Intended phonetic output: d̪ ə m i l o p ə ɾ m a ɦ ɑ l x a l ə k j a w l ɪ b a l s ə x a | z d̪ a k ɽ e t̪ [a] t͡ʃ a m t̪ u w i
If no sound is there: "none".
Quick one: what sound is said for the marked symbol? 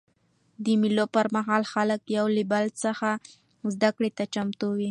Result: a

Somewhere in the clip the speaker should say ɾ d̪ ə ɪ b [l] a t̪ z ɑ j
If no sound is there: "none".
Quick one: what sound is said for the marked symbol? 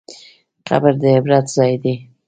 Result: ɾ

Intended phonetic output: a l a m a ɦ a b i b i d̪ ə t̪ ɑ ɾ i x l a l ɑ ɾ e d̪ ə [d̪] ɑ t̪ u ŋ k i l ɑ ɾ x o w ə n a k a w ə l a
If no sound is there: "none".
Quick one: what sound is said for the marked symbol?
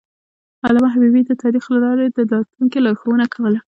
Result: d̪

